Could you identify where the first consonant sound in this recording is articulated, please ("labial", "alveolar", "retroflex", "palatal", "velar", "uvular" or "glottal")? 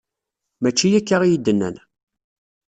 labial